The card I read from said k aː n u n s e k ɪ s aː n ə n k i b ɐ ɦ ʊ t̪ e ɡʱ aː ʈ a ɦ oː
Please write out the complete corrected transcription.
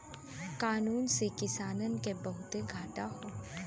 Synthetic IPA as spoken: k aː n uː n s e k ɪ s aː n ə n k e b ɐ ɦ ʊ t̪ e ɡʱ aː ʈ a ɦ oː